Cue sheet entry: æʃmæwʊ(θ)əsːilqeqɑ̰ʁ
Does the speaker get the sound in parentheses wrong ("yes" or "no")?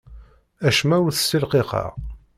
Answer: no